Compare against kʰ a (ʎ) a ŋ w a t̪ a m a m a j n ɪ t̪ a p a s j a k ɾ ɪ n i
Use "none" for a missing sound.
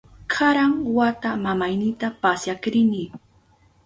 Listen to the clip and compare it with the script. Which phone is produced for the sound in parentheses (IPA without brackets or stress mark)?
ɾ